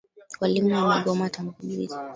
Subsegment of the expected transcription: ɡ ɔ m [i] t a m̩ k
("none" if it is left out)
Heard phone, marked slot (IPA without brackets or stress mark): a